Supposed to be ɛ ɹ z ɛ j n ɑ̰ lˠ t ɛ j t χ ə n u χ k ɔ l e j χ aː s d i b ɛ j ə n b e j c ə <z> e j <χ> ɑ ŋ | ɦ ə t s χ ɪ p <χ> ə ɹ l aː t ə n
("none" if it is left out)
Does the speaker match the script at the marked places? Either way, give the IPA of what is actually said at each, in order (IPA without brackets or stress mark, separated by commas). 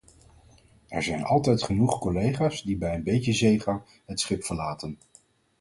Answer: z, χ, f